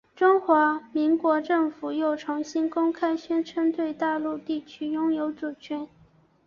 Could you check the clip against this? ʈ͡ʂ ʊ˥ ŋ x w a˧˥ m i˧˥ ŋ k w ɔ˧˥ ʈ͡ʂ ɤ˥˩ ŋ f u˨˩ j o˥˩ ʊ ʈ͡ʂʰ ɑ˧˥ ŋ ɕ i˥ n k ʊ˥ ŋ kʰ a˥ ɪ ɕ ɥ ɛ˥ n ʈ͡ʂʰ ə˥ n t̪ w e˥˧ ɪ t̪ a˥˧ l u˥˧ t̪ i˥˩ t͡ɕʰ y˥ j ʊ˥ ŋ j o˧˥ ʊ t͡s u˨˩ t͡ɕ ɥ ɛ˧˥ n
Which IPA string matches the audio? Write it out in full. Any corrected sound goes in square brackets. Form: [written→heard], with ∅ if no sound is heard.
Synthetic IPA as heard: ʈ͡ʂ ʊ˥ ŋ x w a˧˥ m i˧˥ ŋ k w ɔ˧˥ ʈ͡ʂ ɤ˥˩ ŋ f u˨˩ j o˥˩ ʊ ʈ͡ʂʰ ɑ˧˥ ŋ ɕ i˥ n k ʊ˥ ŋ kʰ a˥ ɪ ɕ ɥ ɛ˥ n ʈ͡ʂʰ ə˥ n t̪ w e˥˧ ɪ t̪ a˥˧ l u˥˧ t̪ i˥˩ t͡ɕʰ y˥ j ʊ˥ ŋ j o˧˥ ʊ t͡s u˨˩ [t͡ɕ→t͡ɕʰ] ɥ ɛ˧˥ n